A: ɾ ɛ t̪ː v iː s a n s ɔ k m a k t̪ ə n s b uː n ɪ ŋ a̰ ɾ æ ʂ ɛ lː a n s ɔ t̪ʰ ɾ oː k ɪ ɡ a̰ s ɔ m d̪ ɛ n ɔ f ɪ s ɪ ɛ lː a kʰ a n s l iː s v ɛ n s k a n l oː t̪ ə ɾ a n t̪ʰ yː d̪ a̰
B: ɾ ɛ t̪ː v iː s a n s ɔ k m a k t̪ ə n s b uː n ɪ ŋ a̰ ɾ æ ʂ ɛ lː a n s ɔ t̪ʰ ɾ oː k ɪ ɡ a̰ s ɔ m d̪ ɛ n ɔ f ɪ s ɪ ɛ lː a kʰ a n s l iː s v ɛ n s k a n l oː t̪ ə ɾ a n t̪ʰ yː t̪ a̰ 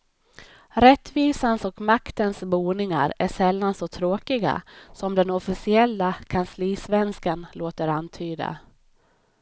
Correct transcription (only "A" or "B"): A